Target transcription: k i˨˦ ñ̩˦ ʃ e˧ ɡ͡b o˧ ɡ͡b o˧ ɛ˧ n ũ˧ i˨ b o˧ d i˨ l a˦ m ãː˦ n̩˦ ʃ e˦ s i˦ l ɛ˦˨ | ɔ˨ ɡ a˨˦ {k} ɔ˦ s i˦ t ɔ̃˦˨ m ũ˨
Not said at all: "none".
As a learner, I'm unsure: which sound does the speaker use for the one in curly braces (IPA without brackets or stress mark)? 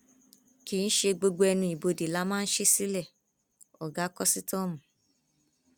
k